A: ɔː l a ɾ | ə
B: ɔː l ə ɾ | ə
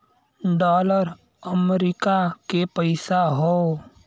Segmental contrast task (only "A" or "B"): B